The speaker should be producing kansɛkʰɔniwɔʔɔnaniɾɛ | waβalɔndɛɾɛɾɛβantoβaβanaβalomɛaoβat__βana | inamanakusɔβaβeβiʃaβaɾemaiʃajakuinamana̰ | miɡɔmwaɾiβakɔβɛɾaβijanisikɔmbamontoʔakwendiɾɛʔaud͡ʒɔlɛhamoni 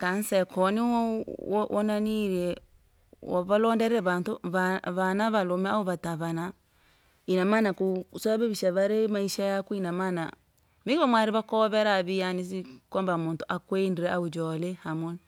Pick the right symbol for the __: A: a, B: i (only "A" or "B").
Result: A